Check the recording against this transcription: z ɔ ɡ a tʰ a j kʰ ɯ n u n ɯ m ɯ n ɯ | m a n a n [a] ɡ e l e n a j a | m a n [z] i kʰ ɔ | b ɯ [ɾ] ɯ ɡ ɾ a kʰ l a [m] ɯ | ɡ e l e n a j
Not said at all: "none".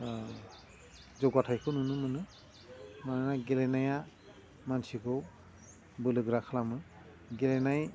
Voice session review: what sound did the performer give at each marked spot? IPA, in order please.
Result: a, s, l, m

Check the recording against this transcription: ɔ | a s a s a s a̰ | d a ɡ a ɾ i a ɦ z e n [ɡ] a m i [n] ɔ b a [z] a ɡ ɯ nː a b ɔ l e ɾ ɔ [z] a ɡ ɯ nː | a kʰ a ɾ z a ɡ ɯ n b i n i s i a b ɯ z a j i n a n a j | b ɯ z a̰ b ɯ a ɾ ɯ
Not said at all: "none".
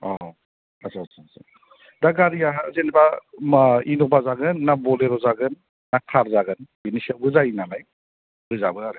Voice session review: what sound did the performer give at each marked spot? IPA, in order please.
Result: b, n, z, z

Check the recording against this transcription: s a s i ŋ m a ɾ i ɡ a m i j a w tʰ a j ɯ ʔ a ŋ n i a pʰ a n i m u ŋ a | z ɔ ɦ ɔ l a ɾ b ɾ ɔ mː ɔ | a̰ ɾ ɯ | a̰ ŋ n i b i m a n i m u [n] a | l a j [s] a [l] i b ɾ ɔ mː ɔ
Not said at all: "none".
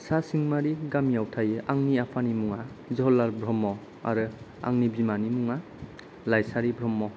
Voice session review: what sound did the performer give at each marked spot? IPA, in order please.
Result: ŋ, s, ɾ

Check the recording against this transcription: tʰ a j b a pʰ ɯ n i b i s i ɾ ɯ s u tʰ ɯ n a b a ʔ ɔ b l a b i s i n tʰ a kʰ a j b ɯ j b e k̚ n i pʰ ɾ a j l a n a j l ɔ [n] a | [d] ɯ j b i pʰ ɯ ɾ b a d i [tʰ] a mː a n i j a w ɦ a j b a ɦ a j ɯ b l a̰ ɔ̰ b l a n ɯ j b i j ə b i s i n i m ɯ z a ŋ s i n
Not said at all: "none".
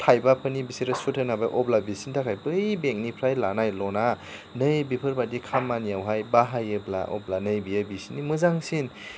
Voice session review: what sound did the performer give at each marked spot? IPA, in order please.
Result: n, n, kʰ

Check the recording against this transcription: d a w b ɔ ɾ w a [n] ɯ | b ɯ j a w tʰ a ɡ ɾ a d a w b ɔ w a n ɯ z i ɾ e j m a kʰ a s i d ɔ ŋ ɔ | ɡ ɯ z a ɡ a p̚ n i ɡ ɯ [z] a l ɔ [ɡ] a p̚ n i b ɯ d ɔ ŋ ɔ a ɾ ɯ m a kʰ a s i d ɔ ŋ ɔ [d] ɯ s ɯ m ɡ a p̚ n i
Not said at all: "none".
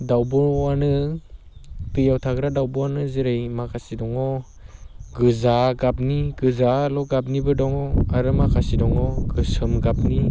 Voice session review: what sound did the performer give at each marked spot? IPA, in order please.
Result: n, z, ɡ, ɡ

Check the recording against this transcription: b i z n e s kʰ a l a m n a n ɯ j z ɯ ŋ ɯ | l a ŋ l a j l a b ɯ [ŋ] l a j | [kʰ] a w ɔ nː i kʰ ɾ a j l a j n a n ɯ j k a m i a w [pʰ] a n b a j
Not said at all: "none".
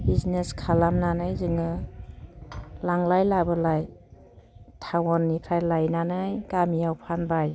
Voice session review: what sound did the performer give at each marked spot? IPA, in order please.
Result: none, tʰ, pʰ

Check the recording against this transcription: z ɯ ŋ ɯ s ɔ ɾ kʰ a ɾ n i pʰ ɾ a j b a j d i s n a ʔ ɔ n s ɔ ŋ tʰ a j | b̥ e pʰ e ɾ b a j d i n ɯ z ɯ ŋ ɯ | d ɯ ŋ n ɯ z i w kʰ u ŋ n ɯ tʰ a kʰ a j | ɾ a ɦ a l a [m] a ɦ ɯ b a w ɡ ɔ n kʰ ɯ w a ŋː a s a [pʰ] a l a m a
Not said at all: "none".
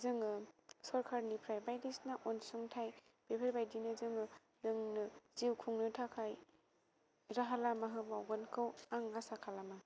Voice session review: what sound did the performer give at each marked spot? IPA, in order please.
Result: m, kʰ

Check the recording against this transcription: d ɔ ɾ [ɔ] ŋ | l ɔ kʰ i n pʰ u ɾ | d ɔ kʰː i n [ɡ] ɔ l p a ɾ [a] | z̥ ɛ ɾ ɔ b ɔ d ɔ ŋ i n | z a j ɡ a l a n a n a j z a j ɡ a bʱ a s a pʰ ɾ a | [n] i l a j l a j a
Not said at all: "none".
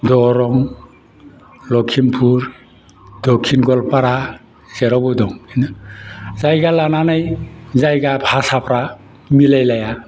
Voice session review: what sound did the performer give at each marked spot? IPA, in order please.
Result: ɔ, ɡ, a, m

